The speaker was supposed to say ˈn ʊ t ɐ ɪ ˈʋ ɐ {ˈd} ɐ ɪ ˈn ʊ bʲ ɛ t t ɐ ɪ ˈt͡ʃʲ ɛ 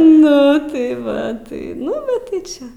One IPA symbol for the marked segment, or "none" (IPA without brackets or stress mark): t